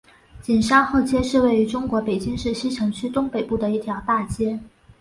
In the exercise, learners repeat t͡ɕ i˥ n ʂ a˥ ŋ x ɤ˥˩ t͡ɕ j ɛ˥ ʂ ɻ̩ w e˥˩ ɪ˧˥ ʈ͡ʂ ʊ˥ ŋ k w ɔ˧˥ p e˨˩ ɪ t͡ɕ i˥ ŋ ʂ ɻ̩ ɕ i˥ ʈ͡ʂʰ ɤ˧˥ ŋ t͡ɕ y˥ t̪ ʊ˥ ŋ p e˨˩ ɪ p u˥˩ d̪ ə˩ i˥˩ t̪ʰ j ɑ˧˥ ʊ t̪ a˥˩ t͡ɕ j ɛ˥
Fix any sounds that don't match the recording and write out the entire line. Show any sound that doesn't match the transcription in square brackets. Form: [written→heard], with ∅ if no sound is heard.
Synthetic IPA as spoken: t͡ɕ [i˥→i˨˩] n ʂ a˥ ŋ x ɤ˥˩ t͡ɕ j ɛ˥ ʂ ɻ̩ w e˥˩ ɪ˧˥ ʈ͡ʂ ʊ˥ ŋ k w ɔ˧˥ p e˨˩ ɪ t͡ɕ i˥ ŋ ʂ ɻ̩ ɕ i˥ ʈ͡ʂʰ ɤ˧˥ ŋ [t͡ɕ→t͡ɕʰ] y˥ t̪ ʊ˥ ŋ p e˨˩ ɪ p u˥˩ d̪ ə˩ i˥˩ t̪ʰ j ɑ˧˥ ʊ t̪ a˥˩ t͡ɕ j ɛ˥